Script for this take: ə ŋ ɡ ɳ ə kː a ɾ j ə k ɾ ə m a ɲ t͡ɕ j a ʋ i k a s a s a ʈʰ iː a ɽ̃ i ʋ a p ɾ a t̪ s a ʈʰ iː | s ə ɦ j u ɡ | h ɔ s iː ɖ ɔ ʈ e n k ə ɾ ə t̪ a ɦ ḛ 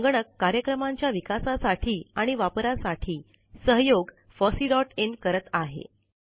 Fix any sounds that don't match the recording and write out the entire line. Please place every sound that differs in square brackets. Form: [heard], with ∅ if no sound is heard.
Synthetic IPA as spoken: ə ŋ ɡ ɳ ə kː a ɾ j ə k ɾ ə m a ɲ t͡ɕ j a ʋ i k a s a s a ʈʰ iː a ɽ̃ i ʋ a p ɾ a [∅] s a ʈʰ iː | s ə ɦ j [o] ɡ | [f] ɔ s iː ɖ ɔ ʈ e n k ə ɾ ə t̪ a ɦ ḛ